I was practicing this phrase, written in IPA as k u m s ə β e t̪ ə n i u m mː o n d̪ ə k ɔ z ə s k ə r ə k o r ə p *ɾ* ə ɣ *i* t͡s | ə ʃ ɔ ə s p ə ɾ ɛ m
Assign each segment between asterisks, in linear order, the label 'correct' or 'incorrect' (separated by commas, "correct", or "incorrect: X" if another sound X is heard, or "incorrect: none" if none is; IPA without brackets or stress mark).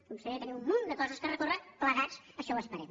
incorrect: l, incorrect: a